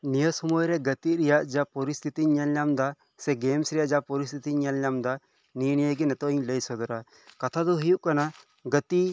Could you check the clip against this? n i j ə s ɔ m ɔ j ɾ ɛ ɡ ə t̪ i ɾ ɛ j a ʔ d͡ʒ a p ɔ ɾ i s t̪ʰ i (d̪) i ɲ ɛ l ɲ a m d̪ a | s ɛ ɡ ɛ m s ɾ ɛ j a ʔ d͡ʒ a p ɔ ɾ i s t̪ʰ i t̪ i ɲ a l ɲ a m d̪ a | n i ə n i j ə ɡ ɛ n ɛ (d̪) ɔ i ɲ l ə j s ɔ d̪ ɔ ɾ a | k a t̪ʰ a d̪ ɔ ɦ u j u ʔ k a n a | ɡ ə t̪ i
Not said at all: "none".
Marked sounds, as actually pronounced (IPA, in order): t̪, t̪

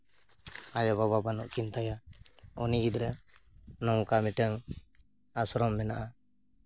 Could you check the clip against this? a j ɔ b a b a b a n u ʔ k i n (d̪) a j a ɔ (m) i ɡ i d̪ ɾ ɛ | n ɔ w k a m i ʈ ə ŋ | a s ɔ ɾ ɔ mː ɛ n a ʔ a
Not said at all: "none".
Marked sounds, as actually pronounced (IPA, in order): t̪, n

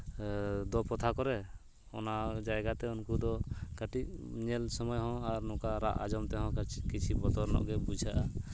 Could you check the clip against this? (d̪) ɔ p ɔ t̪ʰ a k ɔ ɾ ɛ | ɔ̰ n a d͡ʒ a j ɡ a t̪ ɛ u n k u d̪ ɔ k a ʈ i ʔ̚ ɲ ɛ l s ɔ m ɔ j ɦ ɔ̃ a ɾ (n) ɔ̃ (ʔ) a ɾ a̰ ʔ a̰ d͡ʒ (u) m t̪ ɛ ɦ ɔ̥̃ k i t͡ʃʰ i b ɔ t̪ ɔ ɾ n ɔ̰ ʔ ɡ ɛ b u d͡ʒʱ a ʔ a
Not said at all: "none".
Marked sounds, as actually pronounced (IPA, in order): d̪, n, k, ɔ

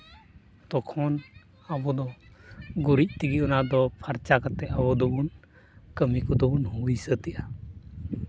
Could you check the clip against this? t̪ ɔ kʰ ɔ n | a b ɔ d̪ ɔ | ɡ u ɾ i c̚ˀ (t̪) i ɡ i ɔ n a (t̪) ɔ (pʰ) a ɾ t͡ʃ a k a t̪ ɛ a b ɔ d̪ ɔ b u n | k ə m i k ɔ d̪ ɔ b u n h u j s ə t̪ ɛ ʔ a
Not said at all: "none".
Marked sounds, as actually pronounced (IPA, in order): t̪, d̪, pʰ

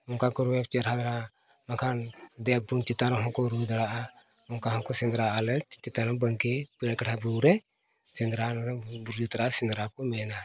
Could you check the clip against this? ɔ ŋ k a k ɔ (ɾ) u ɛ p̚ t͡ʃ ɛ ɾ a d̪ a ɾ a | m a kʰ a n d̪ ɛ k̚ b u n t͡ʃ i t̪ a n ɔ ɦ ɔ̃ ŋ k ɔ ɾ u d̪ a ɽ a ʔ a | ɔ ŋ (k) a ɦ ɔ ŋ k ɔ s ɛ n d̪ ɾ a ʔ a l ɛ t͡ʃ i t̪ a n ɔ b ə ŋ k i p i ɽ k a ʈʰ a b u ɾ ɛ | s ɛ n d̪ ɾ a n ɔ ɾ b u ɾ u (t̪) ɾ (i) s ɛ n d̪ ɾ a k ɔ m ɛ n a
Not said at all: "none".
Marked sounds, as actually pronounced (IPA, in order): ɾ, k, t̪, a

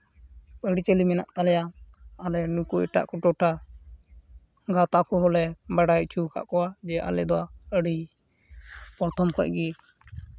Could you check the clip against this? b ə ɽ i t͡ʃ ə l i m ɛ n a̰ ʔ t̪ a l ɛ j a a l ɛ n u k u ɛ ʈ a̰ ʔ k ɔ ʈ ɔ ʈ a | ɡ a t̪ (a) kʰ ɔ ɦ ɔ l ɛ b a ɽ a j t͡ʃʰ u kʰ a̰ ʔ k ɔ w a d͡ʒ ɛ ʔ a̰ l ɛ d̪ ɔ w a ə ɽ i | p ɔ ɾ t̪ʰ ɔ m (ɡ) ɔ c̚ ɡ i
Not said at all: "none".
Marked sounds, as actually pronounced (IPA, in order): a, k

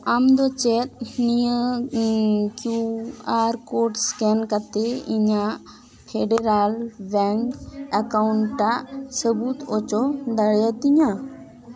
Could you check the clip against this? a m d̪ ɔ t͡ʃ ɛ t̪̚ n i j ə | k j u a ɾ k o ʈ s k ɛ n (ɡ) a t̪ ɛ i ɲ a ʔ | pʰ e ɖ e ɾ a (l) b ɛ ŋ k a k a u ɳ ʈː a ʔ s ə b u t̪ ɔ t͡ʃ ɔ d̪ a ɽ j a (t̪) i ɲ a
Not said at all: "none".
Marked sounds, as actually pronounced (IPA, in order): k, l, t̪

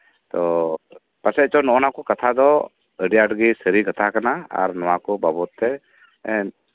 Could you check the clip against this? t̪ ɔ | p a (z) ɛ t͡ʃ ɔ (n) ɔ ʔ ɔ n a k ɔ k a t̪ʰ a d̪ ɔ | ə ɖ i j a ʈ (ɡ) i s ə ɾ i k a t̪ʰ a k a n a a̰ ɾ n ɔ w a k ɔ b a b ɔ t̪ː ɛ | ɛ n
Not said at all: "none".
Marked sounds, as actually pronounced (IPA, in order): s, n, ɡ

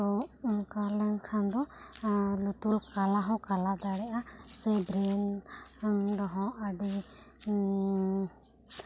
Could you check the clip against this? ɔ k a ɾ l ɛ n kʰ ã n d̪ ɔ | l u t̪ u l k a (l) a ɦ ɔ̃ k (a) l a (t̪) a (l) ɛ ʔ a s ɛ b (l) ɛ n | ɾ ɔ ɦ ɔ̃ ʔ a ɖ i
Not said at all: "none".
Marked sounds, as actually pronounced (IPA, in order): l, a, d̪, ɽ, ɾ

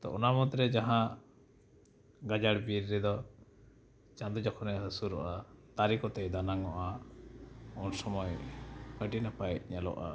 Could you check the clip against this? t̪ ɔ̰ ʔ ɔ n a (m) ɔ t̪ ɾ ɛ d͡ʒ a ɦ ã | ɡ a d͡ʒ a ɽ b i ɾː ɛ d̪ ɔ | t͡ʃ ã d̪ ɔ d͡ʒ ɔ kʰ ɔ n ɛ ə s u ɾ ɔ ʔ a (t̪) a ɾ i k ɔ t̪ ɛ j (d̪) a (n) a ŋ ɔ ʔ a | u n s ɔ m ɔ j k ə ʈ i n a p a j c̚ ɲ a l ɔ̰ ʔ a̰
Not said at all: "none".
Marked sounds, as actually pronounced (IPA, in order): m, t̪, d̪, n

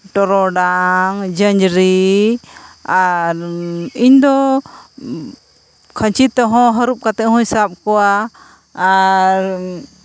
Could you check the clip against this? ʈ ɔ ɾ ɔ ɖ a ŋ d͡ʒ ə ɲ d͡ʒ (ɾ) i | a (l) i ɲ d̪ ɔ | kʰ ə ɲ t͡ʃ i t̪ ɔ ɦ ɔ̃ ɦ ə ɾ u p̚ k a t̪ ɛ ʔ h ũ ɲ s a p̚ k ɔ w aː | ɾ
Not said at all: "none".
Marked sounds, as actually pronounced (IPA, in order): ɾ, ɾ

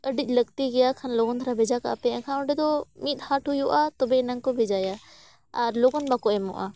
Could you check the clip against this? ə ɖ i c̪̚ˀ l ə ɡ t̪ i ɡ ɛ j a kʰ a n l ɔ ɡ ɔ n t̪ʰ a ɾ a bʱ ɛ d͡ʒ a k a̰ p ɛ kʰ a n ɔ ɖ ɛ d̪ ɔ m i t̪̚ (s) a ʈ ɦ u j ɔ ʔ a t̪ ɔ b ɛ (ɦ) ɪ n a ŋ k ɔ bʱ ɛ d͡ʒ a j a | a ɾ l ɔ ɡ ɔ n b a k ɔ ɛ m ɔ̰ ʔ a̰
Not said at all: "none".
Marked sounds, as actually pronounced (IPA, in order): h, none

